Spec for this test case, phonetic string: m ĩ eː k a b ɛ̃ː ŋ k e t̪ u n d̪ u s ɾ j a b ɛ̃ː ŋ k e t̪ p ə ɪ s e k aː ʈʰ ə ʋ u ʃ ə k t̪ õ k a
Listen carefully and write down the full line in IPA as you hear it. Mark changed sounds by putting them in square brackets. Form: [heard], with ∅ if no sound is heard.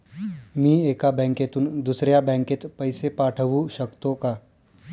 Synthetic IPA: m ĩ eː k a b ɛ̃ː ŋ k e t̪ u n d̪ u s ɾ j a b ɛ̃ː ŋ k e t̪ p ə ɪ s e [p] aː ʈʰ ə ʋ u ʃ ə k t̪ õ k a